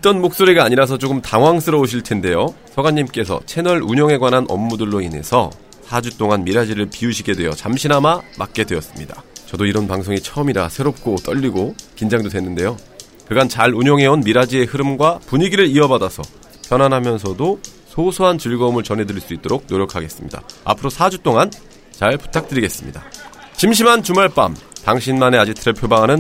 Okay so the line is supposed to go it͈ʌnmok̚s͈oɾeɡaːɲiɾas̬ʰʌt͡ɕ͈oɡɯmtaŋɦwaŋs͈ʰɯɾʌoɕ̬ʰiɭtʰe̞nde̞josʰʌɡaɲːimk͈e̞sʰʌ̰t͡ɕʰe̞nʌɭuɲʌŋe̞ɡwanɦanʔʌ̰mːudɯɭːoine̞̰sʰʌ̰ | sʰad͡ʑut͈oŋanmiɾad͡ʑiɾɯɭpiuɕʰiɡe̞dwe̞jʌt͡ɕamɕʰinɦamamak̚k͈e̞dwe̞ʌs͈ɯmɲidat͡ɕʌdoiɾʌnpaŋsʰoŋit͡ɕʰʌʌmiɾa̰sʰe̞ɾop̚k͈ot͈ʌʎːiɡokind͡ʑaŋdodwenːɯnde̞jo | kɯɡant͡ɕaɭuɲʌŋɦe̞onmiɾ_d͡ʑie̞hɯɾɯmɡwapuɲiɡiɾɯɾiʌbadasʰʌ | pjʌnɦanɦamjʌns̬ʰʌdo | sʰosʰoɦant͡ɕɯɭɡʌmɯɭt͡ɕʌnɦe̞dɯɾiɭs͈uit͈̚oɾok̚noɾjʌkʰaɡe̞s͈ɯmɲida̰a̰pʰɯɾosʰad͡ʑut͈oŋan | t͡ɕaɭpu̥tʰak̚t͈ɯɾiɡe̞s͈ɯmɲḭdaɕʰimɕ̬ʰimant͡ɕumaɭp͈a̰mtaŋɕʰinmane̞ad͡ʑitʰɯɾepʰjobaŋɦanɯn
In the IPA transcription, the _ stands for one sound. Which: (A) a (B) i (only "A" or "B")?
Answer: A